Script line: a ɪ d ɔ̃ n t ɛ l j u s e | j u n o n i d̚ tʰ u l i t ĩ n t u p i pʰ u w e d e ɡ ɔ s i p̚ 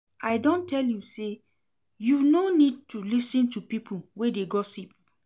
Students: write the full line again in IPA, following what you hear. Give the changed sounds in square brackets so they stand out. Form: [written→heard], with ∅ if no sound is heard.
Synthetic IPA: a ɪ d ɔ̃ n t ɛ l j u s e | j u n o n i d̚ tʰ u l i [t→s] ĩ n t u p i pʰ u w e d e ɡ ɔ s i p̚